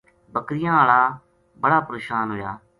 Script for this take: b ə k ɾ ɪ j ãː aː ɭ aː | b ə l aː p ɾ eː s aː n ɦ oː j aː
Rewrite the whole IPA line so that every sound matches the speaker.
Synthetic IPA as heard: b ə k ɾ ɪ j ãː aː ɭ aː | b ə ɽ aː p ɾ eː ʃ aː n ɦ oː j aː